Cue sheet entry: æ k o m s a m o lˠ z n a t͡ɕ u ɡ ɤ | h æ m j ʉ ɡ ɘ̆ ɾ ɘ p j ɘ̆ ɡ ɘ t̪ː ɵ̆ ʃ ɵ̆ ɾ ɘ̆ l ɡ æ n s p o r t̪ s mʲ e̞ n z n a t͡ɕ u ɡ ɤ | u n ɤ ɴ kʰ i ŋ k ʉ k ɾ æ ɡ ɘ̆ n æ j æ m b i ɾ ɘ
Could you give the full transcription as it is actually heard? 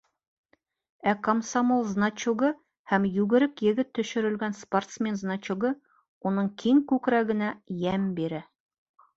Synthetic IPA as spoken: æ k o m s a m o lˠ z n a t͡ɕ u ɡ ɤ | h æ m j ʉ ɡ ɘ̆ ɾ ɘ k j ɘ̆ ɡ ɘ t̪ː ɵ̆ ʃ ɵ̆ ɾ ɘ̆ l ɡ æ n s p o r t̪ s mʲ e̞ n z n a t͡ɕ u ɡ ɤ | u n ɤ ɴ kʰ i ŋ k ʉ k ɾ æ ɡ ɘ̆ n æ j æ m b i ɾ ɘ